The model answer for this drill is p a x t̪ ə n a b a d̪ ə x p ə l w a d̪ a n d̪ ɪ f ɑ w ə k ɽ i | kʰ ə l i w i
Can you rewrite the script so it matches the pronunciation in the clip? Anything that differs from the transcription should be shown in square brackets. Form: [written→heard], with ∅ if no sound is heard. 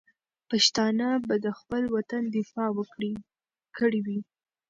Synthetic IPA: p a [x→ʃ] t̪ [ə→ɑ] n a b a d̪ ə x p ə l w a [d̪→t̪] a n d̪ ɪ f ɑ w ə k ɽ i | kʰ ə [l→ɽ] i w i